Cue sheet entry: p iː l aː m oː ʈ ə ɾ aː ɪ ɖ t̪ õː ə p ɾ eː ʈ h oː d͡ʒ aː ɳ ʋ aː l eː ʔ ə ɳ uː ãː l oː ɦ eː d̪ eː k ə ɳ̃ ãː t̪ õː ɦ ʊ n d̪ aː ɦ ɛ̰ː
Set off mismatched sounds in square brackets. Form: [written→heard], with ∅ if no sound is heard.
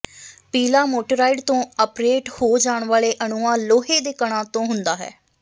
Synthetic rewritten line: p iː l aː m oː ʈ ə ɾ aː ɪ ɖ t̪ õː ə p ɾ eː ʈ h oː d͡ʒ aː ɳ ʋ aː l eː ʔ ə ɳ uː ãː l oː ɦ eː d̪ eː k ə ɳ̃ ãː t̪ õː ɦ ʊ n d̪ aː ɦ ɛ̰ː